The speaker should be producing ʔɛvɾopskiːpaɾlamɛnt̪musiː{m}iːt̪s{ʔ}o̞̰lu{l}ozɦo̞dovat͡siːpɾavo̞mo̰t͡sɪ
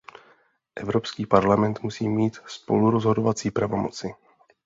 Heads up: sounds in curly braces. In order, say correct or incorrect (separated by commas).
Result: correct, incorrect, incorrect